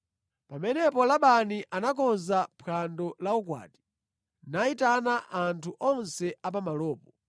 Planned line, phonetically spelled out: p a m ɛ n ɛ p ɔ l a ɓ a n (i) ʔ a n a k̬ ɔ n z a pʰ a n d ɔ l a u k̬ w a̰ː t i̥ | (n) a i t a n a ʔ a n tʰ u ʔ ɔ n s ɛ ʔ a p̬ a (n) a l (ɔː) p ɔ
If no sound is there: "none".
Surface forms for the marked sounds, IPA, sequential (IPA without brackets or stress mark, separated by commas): i, n, m, ɔː